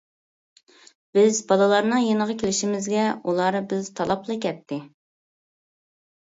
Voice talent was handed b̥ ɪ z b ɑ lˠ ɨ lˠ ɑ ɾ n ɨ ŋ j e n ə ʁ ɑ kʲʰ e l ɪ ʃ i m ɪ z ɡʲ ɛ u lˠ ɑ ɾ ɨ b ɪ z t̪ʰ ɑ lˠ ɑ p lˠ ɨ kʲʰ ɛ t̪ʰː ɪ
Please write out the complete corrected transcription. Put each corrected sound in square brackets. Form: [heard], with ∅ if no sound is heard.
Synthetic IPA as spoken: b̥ ɪ z b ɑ lˠ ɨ lˠ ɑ ɾ n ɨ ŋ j e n ə ʁ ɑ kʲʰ e l ɪ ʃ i m ɪ z ɡʲ ɛ u lˠ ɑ ɾ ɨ b ɪ z t̪ʰ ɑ lˠ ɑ p lˠ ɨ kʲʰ ɛ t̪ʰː ɪ